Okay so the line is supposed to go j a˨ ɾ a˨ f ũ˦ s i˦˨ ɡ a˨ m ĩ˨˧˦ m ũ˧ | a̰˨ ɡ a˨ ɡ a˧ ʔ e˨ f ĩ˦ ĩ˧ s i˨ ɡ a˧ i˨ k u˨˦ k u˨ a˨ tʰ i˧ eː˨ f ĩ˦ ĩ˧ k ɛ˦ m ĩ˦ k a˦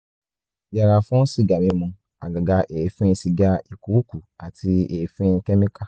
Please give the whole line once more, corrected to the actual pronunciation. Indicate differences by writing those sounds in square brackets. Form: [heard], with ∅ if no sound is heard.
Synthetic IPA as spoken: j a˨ ɾ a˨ f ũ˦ s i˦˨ ɡ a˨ m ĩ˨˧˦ m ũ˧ | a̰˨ ɡ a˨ ɡ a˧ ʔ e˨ f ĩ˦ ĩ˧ s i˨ ɡ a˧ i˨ k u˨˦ k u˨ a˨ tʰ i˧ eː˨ f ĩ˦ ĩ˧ k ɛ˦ m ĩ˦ k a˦